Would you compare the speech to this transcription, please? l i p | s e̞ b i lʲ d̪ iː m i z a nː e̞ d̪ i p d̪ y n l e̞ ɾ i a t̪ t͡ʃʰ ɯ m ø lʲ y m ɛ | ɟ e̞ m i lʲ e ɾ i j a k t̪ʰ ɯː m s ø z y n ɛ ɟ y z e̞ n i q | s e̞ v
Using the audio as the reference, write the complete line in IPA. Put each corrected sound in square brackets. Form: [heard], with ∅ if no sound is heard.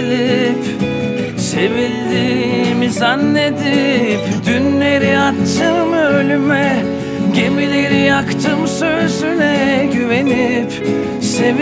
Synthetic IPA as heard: l i p | s e̞ [v] i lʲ d̪ iː m i z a nː e̞ d̪ i p d̪ y n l e̞ ɾ i a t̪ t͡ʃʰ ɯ m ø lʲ y m ɛ | ɟ e̞ m i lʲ e ɾ i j a k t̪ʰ [ɯ] m s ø z y n ɛ ɟ y [v] e̞ n i [p] | s e̞ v

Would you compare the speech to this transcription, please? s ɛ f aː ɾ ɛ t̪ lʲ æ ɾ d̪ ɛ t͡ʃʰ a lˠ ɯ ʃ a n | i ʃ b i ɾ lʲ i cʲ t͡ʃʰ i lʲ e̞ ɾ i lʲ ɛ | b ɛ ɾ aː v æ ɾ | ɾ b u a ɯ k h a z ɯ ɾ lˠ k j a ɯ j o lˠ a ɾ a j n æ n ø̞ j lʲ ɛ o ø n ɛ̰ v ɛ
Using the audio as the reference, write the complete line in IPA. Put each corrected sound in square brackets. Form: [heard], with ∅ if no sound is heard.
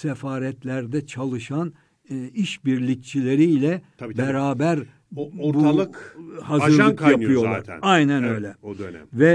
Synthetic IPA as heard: s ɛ f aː ɾ ɛ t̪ lʲ æ ɾ d̪ ɛ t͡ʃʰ a lˠ ɯ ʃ a n | i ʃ b i ɾ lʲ i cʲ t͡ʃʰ i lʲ e̞ ɾ i lʲ ɛ | b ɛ ɾ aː [b] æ ɾ | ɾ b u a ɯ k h a z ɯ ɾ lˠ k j a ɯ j o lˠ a ɾ a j n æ n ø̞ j lʲ ɛ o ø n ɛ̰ v ɛ

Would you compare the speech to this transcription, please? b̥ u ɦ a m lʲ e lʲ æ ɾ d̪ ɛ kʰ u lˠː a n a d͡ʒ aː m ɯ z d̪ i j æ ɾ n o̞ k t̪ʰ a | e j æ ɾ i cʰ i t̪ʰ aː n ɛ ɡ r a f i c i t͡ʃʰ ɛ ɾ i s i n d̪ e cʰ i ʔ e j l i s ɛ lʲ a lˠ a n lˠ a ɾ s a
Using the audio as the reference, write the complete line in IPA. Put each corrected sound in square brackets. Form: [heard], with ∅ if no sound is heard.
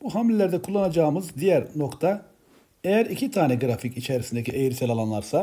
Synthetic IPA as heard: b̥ u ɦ a m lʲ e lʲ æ ɾ d̪ ɛ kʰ u lˠː a n a d͡ʒ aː m ɯ z d̪ i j æ ɾ n o̞ k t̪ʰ a | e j æ ɾ i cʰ i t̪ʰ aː n ɛ ɡ [ɾ] a f i c i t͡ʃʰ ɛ ɾ i s i n d̪ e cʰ i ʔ e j [ɾ] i s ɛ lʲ a lˠ a n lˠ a ɾ s a

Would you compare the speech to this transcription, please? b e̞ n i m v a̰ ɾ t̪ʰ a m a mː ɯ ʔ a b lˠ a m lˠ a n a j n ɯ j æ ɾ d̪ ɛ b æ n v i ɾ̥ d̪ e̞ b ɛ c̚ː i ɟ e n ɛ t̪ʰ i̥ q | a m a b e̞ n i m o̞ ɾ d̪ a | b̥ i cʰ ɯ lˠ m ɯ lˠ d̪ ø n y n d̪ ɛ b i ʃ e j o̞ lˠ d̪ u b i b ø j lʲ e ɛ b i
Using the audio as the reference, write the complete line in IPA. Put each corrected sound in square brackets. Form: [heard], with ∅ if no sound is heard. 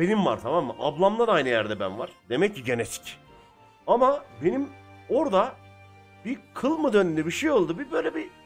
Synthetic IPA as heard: b e̞ n i m v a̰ ɾ t̪ʰ a m a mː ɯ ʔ a b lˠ a m lˠ a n a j n ɯ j æ ɾ d̪ ɛ b æ n v [a] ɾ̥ d̪ e̞ [m] ɛ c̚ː i ɟ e n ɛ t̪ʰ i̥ [c] | a m a b e̞ n i m o̞ ɾ d̪ a | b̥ i [kʰ] ɯ lˠ m ɯ [∅] d̪ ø n y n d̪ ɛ b i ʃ e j o̞ lˠ d̪ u b i b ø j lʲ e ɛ b i

